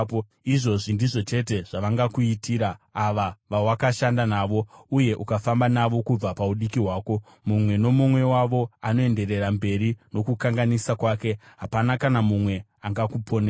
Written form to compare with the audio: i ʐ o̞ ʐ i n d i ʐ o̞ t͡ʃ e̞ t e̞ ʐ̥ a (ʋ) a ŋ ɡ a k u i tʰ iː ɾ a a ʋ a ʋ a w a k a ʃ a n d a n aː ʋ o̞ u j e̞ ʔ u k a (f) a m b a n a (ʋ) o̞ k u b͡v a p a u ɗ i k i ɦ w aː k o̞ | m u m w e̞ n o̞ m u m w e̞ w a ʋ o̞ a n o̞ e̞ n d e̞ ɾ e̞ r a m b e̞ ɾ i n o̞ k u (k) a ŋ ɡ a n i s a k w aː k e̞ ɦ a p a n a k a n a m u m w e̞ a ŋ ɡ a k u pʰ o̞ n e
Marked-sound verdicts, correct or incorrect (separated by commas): correct, correct, correct, correct